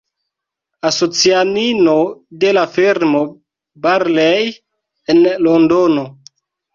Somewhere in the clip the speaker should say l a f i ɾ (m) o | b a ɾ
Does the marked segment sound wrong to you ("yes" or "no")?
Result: no